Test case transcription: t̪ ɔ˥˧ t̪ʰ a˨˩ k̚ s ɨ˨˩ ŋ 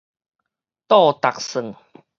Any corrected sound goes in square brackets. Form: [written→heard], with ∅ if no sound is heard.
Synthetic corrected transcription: t̪ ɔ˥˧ [t̪ʰ→t̪] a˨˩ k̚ s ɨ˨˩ ŋ